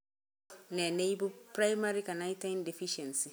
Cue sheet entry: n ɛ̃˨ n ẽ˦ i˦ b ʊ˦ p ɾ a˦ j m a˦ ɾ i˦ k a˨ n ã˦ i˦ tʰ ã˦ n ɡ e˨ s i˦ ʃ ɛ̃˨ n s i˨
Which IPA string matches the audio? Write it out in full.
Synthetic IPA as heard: n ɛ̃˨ n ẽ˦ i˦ b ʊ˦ p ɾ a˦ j m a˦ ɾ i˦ k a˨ n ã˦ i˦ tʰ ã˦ n d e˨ f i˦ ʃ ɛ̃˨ n s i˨